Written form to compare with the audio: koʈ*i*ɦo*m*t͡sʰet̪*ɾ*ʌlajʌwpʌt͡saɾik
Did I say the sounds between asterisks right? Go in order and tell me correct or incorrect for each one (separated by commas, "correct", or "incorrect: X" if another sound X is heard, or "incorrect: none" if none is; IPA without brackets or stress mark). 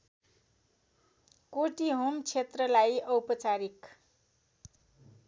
correct, correct, incorrect: r